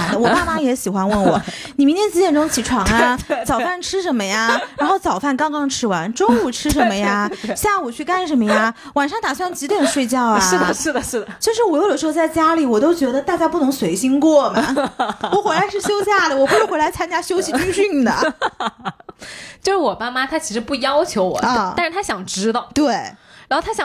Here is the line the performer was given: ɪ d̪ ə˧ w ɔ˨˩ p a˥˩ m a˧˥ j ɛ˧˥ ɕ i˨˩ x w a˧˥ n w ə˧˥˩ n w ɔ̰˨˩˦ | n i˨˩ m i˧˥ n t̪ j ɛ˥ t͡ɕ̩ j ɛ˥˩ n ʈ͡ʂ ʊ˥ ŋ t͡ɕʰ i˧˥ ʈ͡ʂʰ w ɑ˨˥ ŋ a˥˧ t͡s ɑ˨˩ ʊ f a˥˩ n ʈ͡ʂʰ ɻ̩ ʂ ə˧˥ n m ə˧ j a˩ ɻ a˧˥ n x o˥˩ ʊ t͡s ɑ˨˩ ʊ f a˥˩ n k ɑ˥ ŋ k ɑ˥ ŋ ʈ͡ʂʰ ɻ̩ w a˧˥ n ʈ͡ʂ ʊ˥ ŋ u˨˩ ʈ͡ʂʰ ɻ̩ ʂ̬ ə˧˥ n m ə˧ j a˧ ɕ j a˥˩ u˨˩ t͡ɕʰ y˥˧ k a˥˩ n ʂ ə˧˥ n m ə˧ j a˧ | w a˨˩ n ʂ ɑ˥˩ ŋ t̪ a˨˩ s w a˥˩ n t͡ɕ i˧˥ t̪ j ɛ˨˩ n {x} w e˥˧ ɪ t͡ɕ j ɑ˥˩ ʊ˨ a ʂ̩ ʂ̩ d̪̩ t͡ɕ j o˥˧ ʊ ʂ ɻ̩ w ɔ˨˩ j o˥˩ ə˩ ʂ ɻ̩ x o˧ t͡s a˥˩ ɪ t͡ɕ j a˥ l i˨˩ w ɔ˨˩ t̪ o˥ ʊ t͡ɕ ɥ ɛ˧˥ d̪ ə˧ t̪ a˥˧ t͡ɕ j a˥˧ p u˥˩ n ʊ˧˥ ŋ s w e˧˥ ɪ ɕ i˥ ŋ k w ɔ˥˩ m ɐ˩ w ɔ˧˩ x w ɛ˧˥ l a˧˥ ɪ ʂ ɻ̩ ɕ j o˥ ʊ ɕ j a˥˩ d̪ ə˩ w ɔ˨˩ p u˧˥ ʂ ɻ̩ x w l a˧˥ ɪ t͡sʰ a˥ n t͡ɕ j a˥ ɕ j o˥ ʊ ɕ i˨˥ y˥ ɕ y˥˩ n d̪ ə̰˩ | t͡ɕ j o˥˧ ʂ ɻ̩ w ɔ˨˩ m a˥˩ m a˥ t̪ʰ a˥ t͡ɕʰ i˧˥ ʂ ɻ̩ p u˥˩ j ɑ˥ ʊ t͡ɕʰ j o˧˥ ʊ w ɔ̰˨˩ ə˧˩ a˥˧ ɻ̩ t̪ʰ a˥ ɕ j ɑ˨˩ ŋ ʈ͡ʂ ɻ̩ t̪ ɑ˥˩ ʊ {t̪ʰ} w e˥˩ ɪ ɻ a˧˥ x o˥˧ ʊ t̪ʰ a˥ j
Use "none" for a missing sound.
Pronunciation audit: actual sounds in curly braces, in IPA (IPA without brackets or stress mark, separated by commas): ʂ, t̪